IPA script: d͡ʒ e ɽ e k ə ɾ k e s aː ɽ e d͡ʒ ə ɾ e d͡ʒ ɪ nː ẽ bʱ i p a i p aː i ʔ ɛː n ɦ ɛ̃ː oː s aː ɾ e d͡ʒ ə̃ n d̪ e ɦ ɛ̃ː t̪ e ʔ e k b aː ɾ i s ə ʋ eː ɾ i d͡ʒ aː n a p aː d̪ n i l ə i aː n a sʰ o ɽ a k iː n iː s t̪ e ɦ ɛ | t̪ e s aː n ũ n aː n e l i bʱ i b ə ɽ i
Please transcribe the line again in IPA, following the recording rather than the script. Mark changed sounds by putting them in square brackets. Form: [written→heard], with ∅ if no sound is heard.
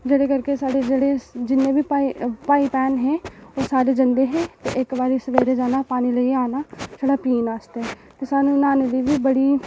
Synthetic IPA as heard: d͡ʒ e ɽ e k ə ɾ k e s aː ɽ e d͡ʒ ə [ɾ→ɽ] e d͡ʒ ɪ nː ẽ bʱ i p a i p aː i [ʔ→p] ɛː n ɦ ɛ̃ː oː s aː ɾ e d͡ʒ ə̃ n d̪ e ɦ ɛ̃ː t̪ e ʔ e k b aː ɾ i s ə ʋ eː ɾ [i→e] d͡ʒ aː n a p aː [d̪→∅] n i l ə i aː n a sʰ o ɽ a [k→p] iː n [iː→aː] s t̪ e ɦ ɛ | t̪ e s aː n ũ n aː n e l i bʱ i b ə ɽ i